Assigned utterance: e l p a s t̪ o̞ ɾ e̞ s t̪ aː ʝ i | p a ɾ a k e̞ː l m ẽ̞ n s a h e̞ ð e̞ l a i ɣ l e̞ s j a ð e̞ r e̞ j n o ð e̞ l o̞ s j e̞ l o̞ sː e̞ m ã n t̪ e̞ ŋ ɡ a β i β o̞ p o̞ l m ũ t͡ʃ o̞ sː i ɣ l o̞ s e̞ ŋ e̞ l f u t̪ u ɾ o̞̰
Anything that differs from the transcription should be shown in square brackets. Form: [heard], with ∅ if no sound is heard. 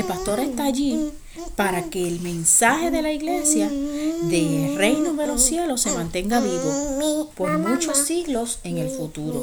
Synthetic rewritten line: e l p a s t̪ o̞ ɾ e̞ s t̪ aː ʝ i | p a ɾ a k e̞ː l m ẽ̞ n s a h e̞ ð e̞ l a i ɣ l e̞ s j a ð e̞ r e̞ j n o ð e̞ l o̞ s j e̞ l o̞ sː e̞ m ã n t̪ e̞ ŋ ɡ a β i β o̞ p o̞ [ɾ] m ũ t͡ʃ o̞ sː i ɣ l o̞ s e̞ ŋ e̞ l f u t̪ u ɾ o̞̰